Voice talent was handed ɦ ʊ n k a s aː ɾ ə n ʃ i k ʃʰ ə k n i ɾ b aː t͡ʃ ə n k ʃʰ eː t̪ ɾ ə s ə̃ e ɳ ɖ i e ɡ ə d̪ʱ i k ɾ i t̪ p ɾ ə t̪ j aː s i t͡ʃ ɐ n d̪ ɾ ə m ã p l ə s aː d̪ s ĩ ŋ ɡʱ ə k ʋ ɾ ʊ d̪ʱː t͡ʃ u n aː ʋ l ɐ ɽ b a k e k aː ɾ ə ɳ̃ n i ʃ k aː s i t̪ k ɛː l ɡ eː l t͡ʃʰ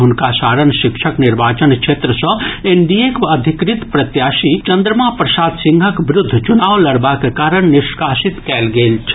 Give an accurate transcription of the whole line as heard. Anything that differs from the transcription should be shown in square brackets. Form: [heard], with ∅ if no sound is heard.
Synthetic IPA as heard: ɦ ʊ n k a s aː ɾ ə n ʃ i k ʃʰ ə k n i ɾ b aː t͡ʃ ə n k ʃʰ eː t̪ ɾ ə s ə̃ e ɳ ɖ i e [k] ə d̪ʱ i k ɾ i t̪ p ɾ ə t̪ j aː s i t͡ʃ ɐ n d̪ ɾ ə m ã p [ɾ] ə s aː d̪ s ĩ ŋ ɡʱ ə k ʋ ɾ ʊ d̪ʱː t͡ʃ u n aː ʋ l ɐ ɽ b a k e k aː ɾ ə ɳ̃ n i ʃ k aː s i t̪ k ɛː l ɡ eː l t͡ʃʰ

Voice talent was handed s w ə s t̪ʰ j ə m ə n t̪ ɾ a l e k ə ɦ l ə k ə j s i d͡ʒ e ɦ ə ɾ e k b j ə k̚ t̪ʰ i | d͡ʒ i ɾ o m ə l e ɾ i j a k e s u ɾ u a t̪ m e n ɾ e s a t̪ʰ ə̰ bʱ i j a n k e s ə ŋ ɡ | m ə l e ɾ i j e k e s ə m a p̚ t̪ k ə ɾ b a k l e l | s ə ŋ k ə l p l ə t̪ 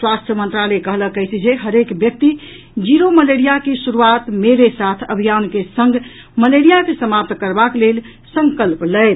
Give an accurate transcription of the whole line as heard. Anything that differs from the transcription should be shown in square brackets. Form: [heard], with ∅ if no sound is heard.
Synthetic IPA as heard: s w [a] s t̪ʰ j ə m ə n t̪ ɾ a l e k ə ɦ l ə k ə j s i d͡ʒ e ɦ ə ɾ e k b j ə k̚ [t̪] i | d͡ʒ i ɾ o m ə l e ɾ i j a k e s u ɾ u a t̪ m e [∅] ɾ e s a t̪ʰ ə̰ bʱ i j a n k e s ə ŋ ɡ | m ə l e ɾ i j [a] k e s ə m a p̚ t̪ k ə ɾ b a k l e l | s ə ŋ k ə l p l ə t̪

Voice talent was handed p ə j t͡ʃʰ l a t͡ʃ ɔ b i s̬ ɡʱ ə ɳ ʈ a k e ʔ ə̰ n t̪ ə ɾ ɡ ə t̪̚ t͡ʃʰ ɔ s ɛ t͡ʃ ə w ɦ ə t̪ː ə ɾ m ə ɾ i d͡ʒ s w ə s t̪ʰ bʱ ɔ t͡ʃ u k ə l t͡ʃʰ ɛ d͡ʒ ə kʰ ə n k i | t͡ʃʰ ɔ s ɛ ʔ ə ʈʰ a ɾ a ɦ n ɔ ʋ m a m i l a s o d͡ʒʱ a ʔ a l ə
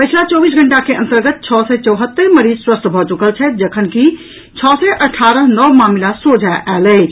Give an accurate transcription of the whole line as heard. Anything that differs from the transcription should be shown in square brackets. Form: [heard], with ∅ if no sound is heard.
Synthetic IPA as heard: p ə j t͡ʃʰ l a t͡ʃ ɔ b i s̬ ɡʱ ə ɳ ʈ a k e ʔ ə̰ n t̪ ə ɾ ɡ ə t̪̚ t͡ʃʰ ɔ s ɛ t͡ʃ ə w ɦ ə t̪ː ə ɾ m ə ɾ i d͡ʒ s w ə s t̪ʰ bʱ ɔ t͡ʃ u k ə l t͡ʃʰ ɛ d͡ʒ ə kʰ ə n k i | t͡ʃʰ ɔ s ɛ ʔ ə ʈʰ a ɾ [ə] ɦ n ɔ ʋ m a m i l a s o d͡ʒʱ a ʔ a l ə

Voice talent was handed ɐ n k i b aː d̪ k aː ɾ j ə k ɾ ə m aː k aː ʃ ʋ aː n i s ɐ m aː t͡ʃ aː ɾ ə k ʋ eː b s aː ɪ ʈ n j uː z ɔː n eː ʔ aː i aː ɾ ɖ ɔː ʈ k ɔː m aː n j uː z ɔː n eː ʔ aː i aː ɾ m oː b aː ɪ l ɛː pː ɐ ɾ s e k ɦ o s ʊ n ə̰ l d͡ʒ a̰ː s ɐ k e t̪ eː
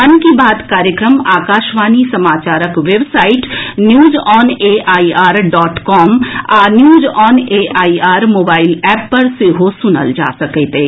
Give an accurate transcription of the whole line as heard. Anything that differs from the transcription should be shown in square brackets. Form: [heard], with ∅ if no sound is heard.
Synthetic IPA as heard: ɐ n k i b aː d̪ k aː ɾ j ə k ɾ ə m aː k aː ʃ ʋ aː n i s ɐ m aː t͡ʃ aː ɾ ə k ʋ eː b s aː ɪ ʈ n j uː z ɔː n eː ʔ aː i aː ɾ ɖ ɔː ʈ k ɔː m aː n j uː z ɔː n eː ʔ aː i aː ɾ m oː b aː ɪ l ɛː pː ɐ ɾ s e [∅] ɦ o s ʊ n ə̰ l d͡ʒ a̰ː s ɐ k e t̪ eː

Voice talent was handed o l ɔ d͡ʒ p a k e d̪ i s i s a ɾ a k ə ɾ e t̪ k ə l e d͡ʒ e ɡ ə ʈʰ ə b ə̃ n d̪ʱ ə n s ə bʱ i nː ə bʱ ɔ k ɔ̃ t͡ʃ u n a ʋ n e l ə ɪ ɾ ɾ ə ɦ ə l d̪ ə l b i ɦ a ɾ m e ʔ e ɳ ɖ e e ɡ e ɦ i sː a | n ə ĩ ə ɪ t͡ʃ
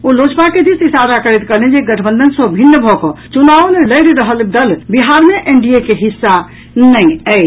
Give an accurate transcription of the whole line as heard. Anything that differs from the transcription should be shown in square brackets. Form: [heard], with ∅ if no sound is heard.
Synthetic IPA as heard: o l [o] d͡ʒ p a k e d̪ i s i s a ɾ a k ə ɾ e t̪ k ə l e d͡ʒ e ɡ ə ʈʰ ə b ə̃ n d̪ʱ ə n s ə bʱ i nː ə bʱ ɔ k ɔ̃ t͡ʃ u n a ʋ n e l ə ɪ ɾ ɾ ə ɦ ə l d̪ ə l b i ɦ a ɾ m e ʔ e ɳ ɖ [i] e [k] e ɦ i sː a | n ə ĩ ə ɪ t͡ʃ

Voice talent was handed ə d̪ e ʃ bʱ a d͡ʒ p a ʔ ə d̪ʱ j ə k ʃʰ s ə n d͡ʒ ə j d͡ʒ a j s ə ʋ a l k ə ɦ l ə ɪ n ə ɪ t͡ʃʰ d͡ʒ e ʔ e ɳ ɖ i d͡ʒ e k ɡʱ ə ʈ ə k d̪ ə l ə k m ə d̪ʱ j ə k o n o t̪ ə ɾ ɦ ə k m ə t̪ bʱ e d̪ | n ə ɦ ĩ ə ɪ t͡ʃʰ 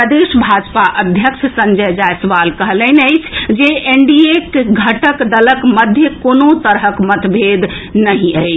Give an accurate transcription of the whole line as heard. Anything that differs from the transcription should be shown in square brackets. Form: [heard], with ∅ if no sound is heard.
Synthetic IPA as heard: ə d̪ e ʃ bʱ a d͡ʒ p a ʔ ə d̪ʱ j ə k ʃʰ s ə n d͡ʒ ə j d͡ʒ a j s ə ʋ a l k ə ɦ l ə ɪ n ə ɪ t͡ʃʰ d͡ʒ e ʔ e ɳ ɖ i [∅] e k ɡʱ ə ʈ ə k d̪ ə l ə k m ə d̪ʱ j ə k o n o t̪ ə ɾ ɦ ə k m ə t̪ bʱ e d̪ | n ə ɦ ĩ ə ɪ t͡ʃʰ

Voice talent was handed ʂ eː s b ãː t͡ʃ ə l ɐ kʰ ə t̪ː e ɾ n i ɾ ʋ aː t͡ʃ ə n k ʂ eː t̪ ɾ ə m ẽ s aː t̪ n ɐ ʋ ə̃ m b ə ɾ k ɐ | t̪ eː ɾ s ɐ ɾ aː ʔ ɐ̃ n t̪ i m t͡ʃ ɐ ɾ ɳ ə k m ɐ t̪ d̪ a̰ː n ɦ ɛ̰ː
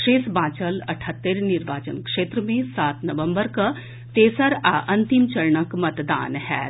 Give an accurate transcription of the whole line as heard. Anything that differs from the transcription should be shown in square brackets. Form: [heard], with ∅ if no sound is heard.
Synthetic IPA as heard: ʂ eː s b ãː t͡ʃ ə l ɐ [ʈʰ] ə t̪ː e ɾ n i ɾ ʋ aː t͡ʃ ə n k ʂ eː t̪ ɾ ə m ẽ s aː t̪ n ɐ ʋ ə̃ m b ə ɾ k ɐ | t̪ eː [∅] s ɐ ɾ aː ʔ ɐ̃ n t̪ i m t͡ʃ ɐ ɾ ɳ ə k m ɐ t̪ d̪ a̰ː n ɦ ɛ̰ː

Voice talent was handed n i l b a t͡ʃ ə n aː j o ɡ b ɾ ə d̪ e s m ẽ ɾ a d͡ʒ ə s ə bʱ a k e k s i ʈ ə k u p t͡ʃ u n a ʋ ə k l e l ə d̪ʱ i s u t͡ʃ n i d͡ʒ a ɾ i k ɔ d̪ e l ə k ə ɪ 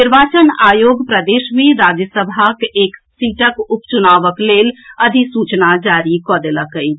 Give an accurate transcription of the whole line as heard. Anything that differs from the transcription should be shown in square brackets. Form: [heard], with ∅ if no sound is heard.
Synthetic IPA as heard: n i [ɾ] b a t͡ʃ ə n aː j o ɡ [p] ɾ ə d̪ e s m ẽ ɾ a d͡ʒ ə s ə bʱ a k e k s i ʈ ə k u p t͡ʃ u n a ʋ ə k l e l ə d̪ʱ i s u t͡ʃ n [a] d͡ʒ a ɾ i k ɔ d̪ e l ə k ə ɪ

